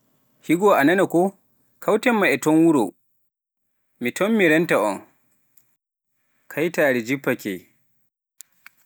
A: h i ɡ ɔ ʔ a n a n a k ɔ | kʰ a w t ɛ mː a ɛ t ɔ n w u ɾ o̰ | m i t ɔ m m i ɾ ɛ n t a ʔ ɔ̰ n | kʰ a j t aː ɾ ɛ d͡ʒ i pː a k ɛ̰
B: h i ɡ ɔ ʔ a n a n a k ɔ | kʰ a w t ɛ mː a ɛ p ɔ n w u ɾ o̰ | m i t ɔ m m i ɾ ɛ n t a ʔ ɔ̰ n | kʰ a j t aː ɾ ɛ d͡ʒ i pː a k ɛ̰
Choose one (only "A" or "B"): A